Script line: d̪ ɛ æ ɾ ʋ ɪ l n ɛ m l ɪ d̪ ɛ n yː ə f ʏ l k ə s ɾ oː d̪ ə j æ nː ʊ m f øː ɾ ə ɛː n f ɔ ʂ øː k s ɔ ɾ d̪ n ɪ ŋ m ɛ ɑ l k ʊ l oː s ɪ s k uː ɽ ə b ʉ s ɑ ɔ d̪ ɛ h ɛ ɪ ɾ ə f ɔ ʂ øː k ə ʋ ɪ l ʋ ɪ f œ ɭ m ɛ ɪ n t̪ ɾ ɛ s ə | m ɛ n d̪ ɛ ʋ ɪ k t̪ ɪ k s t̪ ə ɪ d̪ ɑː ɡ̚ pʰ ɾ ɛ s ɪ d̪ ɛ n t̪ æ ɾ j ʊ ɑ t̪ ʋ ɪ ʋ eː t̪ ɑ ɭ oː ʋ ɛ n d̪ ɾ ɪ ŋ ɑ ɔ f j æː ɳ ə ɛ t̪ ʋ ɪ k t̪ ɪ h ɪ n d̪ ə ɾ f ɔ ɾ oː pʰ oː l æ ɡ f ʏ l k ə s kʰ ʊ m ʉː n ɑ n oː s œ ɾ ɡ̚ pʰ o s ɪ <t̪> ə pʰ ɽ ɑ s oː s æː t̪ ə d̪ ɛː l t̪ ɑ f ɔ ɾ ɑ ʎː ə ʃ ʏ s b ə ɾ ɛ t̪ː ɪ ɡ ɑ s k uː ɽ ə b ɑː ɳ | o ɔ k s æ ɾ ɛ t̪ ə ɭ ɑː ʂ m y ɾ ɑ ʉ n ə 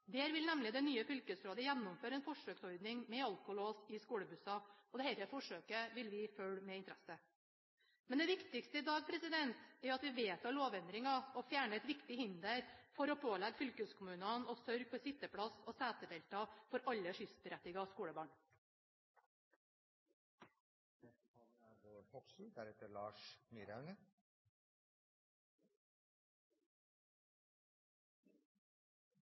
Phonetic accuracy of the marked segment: correct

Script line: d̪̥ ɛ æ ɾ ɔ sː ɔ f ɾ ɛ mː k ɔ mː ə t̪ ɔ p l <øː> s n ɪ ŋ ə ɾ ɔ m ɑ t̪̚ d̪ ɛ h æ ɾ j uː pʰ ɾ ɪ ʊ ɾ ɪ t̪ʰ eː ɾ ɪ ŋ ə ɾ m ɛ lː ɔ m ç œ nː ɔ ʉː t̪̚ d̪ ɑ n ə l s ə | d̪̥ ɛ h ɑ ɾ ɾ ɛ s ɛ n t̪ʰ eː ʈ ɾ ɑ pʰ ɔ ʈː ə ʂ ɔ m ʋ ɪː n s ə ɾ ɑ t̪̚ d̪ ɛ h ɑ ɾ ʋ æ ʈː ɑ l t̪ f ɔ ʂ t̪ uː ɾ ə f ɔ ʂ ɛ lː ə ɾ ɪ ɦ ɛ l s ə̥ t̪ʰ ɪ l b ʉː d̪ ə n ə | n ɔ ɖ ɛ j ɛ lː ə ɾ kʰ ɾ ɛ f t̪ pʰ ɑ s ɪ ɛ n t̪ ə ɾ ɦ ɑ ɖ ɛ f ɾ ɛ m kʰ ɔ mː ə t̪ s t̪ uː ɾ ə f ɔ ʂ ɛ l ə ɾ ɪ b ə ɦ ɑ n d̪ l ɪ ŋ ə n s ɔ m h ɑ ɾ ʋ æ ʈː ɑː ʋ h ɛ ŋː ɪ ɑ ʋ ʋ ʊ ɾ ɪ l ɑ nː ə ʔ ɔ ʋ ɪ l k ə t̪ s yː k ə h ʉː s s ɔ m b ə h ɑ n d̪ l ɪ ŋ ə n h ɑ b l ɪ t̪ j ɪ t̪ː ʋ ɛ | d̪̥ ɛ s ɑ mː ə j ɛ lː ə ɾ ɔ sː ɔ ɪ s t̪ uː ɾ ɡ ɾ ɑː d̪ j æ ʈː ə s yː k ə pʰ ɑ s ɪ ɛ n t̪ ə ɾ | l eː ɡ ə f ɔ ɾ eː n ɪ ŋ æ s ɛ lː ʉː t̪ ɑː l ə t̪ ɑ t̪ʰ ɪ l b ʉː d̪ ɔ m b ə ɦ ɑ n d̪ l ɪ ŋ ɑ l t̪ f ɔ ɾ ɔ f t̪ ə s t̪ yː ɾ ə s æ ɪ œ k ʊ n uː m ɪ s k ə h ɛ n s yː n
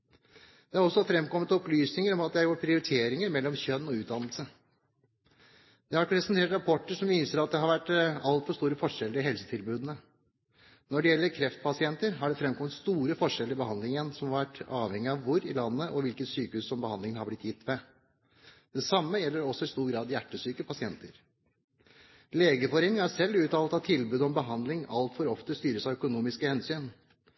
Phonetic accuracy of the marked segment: incorrect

